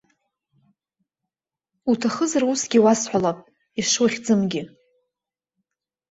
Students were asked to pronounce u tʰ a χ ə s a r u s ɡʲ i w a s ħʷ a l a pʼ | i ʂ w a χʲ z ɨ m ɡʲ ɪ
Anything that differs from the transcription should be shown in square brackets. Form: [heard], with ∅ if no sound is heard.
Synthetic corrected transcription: u tʰ a χ ə [z] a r u s ɡʲ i w a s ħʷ a l a pʼ | i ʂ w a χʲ [d͡z] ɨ m ɡʲ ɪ